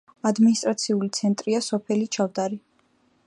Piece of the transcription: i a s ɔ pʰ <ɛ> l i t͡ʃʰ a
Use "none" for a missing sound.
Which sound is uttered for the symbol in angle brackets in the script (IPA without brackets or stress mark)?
ɛ